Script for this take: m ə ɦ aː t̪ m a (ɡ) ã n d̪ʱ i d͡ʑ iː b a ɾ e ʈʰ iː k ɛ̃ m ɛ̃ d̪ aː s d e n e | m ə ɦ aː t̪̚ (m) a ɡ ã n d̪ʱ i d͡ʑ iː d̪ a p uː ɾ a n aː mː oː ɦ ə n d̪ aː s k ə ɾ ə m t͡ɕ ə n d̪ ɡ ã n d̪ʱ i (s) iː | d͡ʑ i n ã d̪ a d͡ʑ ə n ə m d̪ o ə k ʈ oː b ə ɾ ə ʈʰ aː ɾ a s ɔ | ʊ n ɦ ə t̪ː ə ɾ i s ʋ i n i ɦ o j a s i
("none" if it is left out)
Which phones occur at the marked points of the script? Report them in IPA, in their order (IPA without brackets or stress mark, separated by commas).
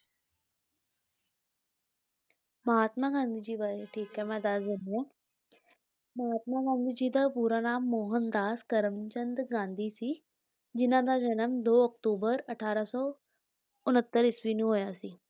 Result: ɡ, m, s